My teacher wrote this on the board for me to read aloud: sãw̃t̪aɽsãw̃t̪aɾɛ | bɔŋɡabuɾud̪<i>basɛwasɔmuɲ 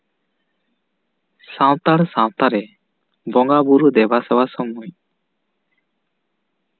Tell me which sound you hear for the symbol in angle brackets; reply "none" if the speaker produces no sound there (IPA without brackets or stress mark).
ɛ